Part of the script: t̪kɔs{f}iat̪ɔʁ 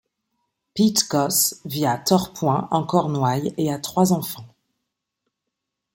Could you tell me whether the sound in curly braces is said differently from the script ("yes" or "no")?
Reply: yes